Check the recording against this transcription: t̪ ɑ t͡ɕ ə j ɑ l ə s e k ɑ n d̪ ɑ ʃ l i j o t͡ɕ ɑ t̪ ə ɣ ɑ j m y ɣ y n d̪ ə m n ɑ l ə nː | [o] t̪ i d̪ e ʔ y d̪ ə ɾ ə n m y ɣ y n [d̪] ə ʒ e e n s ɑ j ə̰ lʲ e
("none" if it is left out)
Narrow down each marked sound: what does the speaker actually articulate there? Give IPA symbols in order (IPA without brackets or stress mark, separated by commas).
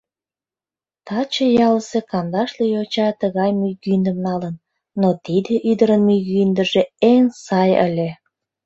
o, d̪